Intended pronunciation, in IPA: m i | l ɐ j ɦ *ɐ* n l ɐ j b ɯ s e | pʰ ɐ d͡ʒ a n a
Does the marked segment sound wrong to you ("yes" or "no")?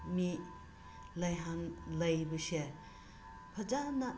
yes